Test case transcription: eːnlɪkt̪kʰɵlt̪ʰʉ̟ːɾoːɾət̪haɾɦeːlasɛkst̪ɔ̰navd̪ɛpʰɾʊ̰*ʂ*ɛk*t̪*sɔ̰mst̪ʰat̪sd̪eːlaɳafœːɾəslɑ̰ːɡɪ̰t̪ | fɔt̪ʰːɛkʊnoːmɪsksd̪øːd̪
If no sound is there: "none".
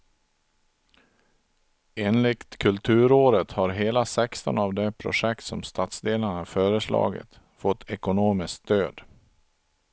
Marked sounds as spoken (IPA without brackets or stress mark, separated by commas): ʂ, t̪